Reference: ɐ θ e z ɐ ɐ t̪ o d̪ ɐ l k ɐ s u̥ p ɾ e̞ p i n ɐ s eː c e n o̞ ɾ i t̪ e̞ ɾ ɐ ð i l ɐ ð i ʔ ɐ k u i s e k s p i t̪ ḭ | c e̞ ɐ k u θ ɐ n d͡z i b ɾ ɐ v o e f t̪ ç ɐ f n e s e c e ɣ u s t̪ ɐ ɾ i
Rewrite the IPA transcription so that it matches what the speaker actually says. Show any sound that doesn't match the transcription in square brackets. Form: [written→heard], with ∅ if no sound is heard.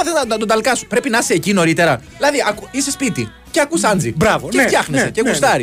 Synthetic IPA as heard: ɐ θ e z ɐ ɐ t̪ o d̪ ɐ l k ɐ s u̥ p ɾ e̞ p i n ɐ s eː c [e→i] n o̞ ɾ i t̪ e̞ ɾ ɐ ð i l ɐ ð i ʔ ɐ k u i s e [k→∅] s p i t̪ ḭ | c e̞ ɐ k u [θ→s] ɐ n d͡z i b ɾ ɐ v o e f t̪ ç ɐ [f→x] n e s e c e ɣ u s t̪ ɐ ɾ i